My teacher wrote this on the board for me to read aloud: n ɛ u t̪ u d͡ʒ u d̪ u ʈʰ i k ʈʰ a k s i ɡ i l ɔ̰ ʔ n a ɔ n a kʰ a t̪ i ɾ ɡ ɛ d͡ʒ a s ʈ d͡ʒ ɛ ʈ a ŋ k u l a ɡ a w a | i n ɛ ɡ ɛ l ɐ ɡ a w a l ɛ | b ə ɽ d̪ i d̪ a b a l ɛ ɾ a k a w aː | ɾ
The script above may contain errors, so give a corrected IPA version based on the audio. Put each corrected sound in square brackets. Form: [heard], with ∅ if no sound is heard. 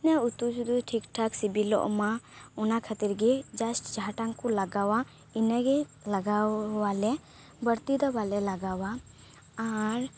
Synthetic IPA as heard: n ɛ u t̪ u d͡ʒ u d̪ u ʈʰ i k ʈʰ a k s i [b] i l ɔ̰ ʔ [m] a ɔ n a kʰ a t̪ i ɾ ɡ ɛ d͡ʒ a s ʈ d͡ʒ [a] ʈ a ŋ k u l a ɡ a w a | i n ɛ ɡ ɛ l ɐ ɡ a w a l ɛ | b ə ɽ [t̪] i d̪ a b a l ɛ [l] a [ɡ] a w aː | ɾ

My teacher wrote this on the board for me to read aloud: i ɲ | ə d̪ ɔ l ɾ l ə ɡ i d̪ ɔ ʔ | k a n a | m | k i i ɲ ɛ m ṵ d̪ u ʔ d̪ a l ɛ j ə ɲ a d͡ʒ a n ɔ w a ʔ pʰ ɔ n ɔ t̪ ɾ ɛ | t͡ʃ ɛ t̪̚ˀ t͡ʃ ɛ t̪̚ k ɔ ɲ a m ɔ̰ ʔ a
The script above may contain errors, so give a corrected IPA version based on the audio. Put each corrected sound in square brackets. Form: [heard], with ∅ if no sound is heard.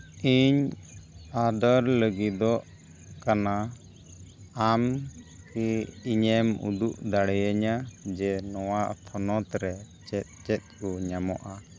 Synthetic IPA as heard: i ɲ | [a] d̪ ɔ [∅] ɾ l ə ɡ i d̪ ɔ ʔ | k a n a | m | k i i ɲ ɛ m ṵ d̪ u ʔ d̪ a [ɽ] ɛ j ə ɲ a d͡ʒ [ɛ] n ɔ w a ʔ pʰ ɔ n ɔ t̪ ɾ ɛ | t͡ʃ ɛ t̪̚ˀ t͡ʃ ɛ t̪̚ k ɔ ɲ a m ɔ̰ ʔ a

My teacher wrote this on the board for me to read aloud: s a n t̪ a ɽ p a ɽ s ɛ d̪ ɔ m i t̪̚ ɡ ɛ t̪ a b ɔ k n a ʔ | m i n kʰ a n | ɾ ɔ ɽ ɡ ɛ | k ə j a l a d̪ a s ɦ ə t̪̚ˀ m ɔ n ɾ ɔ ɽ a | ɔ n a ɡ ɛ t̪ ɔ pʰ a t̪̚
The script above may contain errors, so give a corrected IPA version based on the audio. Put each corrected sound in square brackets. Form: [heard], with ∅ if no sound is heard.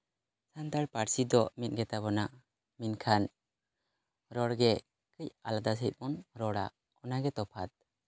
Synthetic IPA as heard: s a n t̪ a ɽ p a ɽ s [i] d̪ ɔ m i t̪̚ ɡ ɛ t̪ a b ɔ [∅] n a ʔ | m i n kʰ a n | ɾ ɔ ɽ ɡ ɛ | k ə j a l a d̪ a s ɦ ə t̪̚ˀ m ɔ n ɾ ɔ ɽ a | ɔ n a ɡ ɛ t̪ ɔ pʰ a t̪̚

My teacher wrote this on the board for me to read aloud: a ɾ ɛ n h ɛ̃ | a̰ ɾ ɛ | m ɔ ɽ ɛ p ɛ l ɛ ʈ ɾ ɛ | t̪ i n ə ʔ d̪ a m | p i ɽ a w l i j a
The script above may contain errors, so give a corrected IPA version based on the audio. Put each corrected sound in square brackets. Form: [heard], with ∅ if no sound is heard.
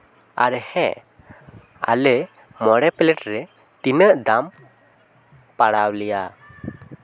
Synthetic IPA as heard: a ɾ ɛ [∅] h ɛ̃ | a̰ [l] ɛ | m ɔ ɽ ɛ p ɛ l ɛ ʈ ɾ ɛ | t̪ i n ə ʔ d̪ a m | p [a] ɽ a w l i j a

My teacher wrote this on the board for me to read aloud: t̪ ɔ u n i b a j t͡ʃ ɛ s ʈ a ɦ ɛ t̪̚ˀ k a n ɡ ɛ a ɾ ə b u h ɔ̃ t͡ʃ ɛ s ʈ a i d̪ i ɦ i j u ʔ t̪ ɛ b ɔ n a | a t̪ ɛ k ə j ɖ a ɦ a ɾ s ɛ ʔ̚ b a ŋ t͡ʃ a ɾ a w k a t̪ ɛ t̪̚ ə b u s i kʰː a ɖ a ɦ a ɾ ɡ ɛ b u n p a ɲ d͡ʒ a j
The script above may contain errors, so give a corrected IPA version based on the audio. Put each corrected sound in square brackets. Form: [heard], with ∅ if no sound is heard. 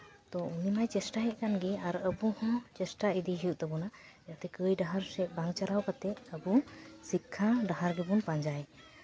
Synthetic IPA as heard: t̪ ɔ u n i [m] a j t͡ʃ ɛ s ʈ a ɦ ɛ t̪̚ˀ k a n ɡ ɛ a ɾ ə b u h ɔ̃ t͡ʃ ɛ s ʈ a i d̪ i ɦ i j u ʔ t̪ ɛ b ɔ n a | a t̪ ɛ k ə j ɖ a ɦ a ɾ s ɛ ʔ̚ b a ŋ t͡ʃ a ɾ a w k a t̪ ɛ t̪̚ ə b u s i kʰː a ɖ a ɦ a ɾ ɡ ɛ b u n p a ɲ d͡ʒ a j

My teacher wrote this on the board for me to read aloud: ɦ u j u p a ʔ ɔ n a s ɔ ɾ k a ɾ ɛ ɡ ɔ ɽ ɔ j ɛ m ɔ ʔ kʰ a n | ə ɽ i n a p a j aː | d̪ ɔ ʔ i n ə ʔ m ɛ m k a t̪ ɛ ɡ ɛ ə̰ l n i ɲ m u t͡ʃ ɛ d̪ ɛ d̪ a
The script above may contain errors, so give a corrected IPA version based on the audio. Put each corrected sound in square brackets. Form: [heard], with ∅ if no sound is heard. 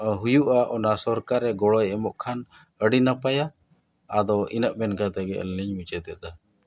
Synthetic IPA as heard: ɦ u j u [ʔ] a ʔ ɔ n a s ɔ ɾ k a ɾ ɛ ɡ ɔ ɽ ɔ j ɛ m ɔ ʔ kʰ a n | ə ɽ i n a p a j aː | d̪ ɔ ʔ i n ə ʔ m ɛ [n] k a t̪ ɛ ɡ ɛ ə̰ l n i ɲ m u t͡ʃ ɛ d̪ ɛ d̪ a

